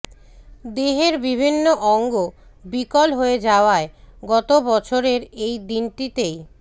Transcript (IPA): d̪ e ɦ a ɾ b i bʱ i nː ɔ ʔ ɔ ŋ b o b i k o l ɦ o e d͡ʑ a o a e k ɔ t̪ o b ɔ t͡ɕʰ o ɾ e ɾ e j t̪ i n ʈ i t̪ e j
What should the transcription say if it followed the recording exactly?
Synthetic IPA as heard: d̪ e ɦ e ɾ b i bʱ i nː o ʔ ɔ ŋ ɡ o b i k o l ɦ o e d͡ʑ a o a e ɡ ɔ t̪ o b ɔ t͡ɕʰ o ɾ e ɾ e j d̪ i n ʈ i t̪ e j